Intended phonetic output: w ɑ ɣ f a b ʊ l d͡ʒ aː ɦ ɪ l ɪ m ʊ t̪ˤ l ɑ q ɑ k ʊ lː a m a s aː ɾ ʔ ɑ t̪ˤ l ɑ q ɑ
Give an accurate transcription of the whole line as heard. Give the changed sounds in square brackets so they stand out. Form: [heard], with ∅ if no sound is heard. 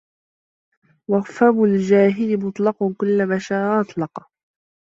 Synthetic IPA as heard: w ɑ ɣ f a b ʊ l d͡ʒ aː ɦ ɪ l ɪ m ʊ t̪ˤ l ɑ q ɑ k ʊ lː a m a [ʃ] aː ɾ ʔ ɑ t̪ˤ l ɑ q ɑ